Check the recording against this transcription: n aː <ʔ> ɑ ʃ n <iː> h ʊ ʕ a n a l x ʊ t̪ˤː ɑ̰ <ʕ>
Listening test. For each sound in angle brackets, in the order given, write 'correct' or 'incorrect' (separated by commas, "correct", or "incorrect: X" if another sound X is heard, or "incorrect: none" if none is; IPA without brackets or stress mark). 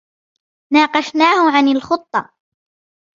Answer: incorrect: q, incorrect: aː, incorrect: none